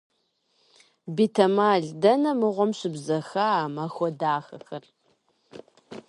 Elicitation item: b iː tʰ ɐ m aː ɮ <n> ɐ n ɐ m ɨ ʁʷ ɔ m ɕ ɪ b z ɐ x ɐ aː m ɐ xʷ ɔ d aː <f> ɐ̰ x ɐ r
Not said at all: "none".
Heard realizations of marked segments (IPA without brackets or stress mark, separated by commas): d, x